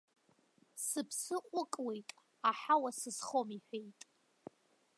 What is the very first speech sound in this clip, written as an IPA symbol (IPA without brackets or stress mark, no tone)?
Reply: s